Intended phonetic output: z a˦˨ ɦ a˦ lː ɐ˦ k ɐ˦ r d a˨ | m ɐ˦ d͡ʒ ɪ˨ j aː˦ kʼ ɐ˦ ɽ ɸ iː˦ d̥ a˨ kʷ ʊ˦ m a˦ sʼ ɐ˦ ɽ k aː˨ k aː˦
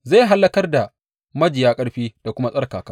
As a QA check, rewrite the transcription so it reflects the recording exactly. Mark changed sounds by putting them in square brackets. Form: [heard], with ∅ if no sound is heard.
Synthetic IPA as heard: z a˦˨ ɦ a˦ lː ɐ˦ k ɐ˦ r d a˨ | m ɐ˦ d͡ʒ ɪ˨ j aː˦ kʼ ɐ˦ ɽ ɸ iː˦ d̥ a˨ kʷ ʊ˦ m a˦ sʼ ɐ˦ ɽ k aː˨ k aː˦